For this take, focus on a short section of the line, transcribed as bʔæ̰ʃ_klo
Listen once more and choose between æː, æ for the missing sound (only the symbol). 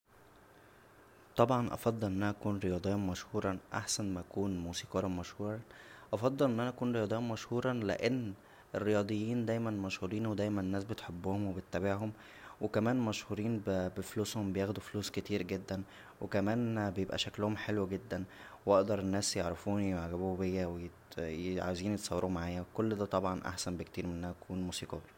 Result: æ